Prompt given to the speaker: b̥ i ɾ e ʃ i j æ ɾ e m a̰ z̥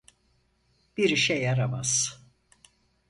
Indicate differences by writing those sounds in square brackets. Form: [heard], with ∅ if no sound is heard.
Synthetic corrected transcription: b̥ i ɾ [i] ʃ [ɛ] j [a] ɾ [a] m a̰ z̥